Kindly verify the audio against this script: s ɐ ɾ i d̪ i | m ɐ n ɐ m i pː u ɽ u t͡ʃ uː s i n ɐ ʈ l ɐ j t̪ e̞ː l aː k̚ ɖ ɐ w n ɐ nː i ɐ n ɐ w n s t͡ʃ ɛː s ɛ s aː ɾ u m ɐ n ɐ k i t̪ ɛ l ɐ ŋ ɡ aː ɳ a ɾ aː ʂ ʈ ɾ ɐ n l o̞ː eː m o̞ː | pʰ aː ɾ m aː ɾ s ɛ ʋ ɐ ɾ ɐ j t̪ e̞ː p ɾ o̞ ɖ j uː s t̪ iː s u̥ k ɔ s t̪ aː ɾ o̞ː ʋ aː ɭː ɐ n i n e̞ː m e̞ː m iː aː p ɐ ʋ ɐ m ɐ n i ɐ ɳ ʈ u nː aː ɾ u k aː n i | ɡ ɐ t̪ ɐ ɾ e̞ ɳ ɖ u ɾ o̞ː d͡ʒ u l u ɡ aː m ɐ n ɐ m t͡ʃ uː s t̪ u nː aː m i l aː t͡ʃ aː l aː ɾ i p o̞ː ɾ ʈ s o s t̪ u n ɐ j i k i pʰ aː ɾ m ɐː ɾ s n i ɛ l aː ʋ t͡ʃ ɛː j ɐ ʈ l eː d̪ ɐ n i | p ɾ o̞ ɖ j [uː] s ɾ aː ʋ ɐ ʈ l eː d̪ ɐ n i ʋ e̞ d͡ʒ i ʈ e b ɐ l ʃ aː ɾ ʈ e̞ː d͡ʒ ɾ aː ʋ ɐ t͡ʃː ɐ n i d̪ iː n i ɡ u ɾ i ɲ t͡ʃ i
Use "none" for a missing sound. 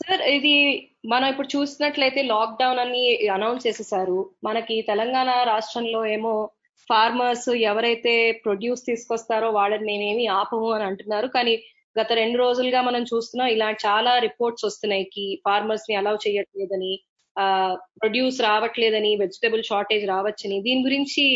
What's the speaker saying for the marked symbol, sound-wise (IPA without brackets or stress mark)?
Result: uː